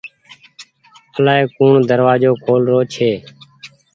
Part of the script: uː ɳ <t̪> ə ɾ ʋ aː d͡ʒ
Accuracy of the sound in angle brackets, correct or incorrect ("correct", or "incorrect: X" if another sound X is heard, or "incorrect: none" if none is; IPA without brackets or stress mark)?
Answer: incorrect: d̪